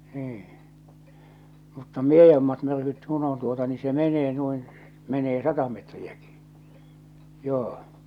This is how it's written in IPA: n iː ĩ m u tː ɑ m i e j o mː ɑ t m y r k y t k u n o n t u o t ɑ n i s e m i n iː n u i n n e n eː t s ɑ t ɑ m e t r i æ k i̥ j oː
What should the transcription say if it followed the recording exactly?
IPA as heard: n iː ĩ m u tː ɑ m i e j o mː ɑ t m y r k y t k u n o n t u o t ɑ n i s e m e n eː n u i n m e n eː s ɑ t ɑ m e t r i æ k i̥ j oː